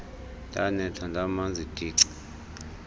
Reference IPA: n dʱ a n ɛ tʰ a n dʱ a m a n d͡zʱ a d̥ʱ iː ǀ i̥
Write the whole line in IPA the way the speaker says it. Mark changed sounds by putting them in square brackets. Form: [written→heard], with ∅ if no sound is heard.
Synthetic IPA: n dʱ a n ɛ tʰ a n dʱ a m a n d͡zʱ [a→i] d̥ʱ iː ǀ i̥